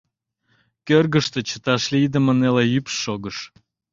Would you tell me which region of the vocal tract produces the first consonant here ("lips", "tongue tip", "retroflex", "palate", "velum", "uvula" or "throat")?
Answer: velum